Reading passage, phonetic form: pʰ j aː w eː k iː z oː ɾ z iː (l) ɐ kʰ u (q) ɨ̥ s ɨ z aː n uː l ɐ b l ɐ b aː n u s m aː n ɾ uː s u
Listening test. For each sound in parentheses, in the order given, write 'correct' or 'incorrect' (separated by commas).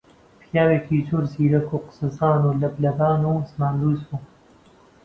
incorrect, correct